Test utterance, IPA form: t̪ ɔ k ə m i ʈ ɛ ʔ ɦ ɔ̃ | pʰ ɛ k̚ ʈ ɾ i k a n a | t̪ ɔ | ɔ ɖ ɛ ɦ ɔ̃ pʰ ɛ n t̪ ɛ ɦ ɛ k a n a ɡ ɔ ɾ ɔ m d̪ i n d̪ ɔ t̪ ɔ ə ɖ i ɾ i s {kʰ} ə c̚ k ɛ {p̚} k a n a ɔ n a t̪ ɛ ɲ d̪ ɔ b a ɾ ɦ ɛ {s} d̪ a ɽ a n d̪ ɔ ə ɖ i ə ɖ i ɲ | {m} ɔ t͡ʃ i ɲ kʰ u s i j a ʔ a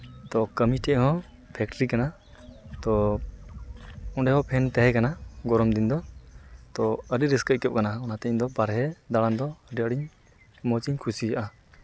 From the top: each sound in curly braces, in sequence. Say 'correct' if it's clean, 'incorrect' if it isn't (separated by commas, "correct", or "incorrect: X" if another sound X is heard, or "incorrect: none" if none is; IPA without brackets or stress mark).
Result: incorrect: k, correct, incorrect: none, correct